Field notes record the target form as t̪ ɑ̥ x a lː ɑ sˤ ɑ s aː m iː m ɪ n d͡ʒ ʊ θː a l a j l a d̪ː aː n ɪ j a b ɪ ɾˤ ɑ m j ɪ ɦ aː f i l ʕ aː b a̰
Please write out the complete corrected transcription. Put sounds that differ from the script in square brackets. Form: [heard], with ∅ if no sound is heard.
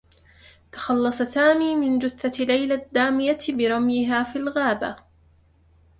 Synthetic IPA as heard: t̪ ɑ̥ x [ɑ] lː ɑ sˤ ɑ s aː m iː m ɪ n d͡ʒ ʊ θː a l a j l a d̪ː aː [m] ɪ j a b ɪ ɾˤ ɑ m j ɪ ɦ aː f i l [ɣ] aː b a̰